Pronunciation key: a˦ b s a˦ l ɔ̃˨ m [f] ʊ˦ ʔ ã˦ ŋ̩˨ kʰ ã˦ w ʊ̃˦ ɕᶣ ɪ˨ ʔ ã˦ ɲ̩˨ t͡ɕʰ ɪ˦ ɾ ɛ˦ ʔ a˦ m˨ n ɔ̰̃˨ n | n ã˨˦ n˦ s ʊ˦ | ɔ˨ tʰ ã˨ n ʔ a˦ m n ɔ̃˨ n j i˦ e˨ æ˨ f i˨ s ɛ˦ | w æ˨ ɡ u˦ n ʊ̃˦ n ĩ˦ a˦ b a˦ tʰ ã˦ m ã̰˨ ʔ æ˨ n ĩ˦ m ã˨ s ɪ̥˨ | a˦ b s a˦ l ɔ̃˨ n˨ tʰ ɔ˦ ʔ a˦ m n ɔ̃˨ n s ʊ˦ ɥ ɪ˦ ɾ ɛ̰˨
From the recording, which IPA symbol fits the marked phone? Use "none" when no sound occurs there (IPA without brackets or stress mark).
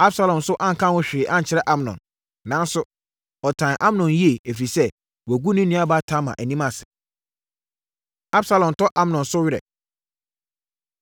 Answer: s